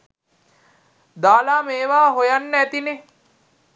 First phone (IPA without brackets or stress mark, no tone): d̪